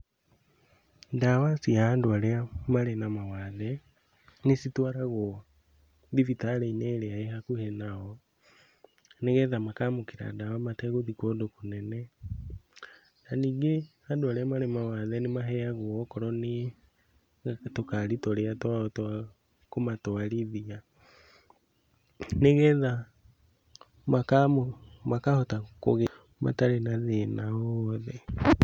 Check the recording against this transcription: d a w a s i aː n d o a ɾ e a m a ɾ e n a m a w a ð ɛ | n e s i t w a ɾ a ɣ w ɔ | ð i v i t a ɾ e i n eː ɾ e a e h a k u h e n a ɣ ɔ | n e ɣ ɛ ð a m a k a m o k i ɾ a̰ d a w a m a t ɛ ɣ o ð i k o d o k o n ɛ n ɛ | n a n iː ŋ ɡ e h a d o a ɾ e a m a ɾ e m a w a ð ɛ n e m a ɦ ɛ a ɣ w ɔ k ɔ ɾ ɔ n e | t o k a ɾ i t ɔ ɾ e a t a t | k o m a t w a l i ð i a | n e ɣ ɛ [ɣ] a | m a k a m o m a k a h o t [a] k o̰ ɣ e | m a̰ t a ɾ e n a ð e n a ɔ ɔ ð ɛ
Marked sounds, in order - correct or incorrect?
incorrect, correct

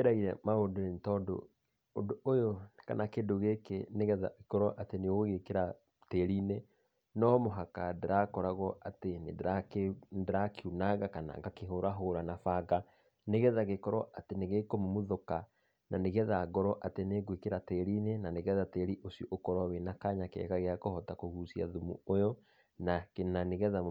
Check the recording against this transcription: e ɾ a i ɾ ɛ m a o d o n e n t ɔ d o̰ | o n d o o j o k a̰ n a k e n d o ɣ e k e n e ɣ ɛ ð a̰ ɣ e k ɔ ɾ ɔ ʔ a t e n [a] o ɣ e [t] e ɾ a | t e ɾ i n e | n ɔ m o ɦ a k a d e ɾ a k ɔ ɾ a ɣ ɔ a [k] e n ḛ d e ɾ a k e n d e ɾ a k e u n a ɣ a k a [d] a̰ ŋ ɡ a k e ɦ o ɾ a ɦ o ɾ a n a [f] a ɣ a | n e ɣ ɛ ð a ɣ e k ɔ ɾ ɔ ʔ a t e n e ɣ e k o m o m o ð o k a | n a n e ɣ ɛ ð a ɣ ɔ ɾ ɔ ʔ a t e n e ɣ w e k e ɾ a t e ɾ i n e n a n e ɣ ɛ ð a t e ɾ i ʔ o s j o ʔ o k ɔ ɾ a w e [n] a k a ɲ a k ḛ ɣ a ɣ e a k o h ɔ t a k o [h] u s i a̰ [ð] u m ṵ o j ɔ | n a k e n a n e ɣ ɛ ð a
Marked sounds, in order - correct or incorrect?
incorrect, incorrect, incorrect, incorrect, correct, correct, correct, correct

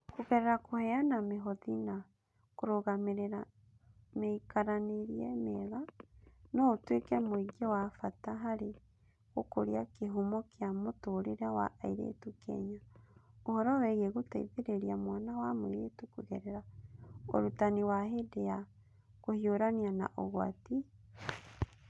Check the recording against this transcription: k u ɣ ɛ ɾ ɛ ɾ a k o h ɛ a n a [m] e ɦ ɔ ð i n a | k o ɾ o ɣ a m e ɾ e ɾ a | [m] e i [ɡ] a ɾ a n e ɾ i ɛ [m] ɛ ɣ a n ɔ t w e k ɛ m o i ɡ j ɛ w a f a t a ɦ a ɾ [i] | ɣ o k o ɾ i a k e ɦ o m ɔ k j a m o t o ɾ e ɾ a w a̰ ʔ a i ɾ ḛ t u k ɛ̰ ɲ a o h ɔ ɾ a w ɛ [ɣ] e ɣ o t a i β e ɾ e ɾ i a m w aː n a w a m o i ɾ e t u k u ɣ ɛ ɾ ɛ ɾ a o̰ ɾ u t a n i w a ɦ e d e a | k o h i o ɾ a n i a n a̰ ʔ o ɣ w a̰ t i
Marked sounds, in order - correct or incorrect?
correct, correct, incorrect, correct, incorrect, correct

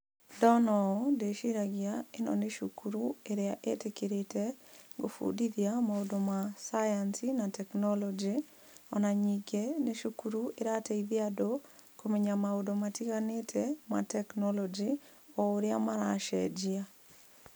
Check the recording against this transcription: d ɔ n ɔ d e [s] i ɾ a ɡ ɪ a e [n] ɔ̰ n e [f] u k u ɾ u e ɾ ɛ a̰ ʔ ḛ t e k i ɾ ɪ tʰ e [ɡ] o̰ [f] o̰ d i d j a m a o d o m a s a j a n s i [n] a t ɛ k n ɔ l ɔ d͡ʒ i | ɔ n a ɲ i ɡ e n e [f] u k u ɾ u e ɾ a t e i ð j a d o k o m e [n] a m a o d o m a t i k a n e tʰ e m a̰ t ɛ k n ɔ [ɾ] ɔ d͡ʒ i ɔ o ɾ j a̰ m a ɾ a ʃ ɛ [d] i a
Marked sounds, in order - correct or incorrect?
incorrect, correct, incorrect, correct, correct, correct, incorrect, incorrect, incorrect, incorrect

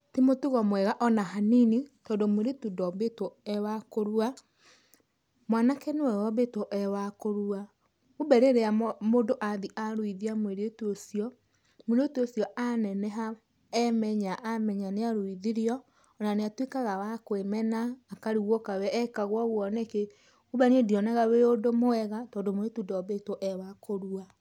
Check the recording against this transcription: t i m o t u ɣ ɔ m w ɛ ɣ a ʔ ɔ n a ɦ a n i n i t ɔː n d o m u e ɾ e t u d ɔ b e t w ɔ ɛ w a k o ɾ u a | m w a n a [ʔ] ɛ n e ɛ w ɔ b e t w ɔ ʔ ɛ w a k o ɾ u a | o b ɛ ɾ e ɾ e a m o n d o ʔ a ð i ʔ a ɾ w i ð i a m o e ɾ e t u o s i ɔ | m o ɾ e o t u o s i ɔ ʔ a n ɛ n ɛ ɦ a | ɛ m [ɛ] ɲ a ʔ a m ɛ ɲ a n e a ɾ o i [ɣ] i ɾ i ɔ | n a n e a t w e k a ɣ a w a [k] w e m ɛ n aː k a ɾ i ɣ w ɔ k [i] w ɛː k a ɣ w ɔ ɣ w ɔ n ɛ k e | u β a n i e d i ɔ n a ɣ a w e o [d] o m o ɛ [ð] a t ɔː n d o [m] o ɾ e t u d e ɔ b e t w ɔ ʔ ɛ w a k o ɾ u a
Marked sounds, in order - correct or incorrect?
incorrect, correct, incorrect, correct, incorrect, correct, incorrect, correct

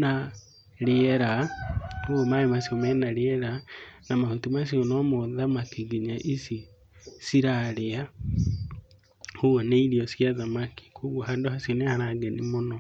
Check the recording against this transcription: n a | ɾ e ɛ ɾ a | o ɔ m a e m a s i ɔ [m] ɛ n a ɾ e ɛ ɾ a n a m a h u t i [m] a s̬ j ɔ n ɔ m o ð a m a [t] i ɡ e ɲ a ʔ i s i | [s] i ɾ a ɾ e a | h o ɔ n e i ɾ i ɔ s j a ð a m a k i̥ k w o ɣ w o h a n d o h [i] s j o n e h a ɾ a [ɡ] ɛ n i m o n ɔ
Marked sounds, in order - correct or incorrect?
correct, correct, incorrect, correct, incorrect, correct

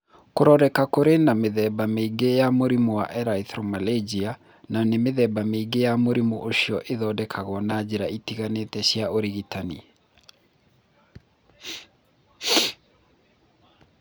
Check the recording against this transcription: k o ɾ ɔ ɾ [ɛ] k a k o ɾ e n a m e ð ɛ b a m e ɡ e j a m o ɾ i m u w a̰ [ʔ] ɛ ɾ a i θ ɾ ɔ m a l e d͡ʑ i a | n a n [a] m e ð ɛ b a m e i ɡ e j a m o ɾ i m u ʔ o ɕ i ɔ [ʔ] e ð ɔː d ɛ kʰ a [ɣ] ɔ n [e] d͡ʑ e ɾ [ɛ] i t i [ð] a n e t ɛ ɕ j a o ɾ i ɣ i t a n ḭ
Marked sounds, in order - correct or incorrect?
correct, correct, incorrect, correct, correct, incorrect, incorrect, incorrect

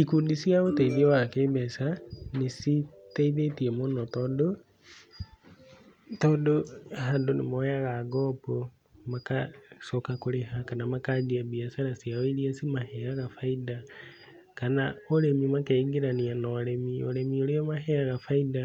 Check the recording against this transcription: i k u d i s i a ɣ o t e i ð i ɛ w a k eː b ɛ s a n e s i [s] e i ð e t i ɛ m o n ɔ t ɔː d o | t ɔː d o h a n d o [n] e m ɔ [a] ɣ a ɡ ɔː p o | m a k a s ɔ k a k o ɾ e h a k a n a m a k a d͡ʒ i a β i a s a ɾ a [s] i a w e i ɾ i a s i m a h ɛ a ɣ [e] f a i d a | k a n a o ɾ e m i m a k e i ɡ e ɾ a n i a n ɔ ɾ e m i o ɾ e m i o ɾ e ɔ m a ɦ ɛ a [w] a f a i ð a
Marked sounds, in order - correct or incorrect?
incorrect, correct, correct, correct, incorrect, incorrect

